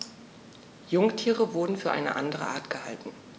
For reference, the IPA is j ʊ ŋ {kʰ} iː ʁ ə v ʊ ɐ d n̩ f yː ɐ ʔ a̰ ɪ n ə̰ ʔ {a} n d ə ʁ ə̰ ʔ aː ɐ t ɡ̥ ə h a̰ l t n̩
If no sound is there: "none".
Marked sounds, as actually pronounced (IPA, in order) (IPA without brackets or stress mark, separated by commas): tʰ, a